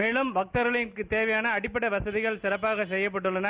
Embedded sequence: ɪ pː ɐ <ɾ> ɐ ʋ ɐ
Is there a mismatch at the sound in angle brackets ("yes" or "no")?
yes